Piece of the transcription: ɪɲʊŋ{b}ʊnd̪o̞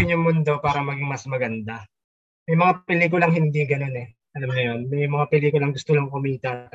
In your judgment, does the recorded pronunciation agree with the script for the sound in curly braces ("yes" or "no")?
no